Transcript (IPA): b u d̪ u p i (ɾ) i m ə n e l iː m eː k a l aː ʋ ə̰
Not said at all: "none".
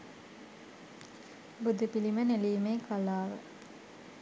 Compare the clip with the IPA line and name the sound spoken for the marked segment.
l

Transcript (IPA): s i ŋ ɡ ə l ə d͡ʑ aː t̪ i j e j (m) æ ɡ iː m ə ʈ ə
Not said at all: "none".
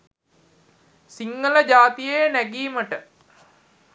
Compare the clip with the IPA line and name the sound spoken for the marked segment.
n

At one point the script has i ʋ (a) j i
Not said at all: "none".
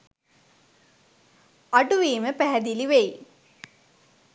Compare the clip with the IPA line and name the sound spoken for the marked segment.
e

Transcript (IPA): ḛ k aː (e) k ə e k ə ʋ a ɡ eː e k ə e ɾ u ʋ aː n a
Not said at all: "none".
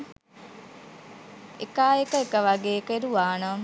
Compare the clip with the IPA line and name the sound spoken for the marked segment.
e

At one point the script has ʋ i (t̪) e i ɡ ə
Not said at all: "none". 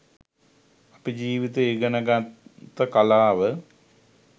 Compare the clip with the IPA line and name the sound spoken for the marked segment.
t̪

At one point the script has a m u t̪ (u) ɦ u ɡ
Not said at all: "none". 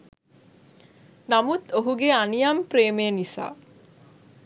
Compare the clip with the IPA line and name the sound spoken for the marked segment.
o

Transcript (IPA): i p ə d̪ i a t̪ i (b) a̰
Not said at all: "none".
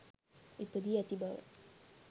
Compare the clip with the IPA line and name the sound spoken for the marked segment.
b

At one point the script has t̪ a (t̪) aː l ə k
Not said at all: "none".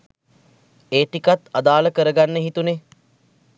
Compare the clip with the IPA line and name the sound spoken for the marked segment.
d̪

